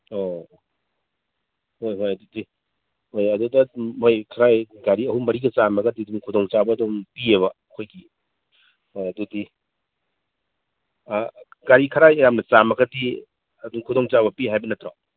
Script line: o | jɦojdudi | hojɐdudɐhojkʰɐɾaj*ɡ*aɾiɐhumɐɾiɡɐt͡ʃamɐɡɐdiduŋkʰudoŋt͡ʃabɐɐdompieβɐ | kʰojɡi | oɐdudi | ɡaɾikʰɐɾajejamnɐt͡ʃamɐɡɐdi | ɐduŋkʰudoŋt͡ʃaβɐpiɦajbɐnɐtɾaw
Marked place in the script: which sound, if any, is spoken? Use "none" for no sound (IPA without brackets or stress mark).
ɡ